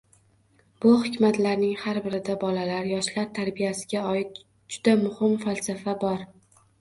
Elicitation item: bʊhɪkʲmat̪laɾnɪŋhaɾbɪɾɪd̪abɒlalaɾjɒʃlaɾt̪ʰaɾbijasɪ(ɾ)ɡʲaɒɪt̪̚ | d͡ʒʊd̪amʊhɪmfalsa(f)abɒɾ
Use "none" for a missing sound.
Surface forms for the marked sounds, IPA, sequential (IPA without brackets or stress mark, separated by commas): none, f